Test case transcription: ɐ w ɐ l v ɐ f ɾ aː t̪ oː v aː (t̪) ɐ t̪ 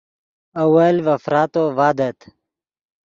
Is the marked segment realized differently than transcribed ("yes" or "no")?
yes